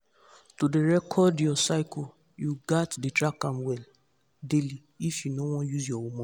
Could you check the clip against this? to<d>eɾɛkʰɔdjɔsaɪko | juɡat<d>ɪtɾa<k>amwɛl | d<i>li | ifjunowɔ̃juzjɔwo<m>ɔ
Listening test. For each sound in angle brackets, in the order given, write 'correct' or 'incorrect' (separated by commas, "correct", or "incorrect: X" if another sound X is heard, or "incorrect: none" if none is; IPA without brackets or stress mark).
correct, correct, correct, incorrect: e, correct